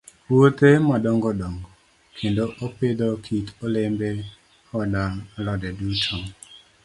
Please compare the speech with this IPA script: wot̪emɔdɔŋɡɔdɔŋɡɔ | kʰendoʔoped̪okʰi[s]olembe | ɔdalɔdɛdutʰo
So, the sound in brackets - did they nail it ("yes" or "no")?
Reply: no